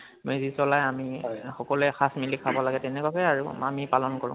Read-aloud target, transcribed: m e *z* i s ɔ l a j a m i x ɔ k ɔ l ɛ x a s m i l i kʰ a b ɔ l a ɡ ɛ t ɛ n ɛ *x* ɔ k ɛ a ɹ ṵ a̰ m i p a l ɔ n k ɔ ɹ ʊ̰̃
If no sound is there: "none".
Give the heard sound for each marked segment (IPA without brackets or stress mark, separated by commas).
z, k